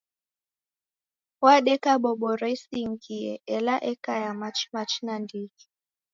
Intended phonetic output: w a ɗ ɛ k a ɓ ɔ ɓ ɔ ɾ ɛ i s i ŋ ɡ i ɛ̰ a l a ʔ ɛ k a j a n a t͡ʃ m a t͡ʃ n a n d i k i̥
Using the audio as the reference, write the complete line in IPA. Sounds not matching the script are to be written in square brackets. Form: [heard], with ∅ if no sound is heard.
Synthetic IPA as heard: w a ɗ ɛ k a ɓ ɔ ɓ ɔ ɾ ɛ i s i ŋ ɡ i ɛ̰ [ɛ] l a ʔ ɛ k a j a [m] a t͡ʃ m a t͡ʃ n a n d i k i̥